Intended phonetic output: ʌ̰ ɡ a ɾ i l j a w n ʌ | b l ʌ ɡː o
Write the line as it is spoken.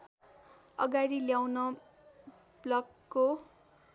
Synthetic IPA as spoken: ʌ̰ ɡ a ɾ i l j a w n ʌ | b l ʌ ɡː o